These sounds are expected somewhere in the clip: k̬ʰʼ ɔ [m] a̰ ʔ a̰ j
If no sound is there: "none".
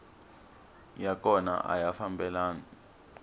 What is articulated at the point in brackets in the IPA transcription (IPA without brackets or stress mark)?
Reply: n